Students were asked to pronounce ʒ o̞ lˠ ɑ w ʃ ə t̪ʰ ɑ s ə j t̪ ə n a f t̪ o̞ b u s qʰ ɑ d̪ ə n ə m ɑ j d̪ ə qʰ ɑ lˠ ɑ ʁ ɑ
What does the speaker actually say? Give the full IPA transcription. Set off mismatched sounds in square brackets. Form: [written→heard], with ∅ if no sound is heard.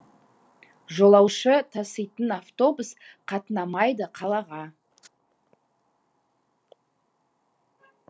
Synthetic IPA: ʒ o̞ lˠ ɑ w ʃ ə t̪ʰ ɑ s ə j t̪ ə n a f t̪ o̞ b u s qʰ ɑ [d̪→t̪] ə n [ə→ɑ] m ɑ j d̪ ə qʰ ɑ lˠ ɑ ʁ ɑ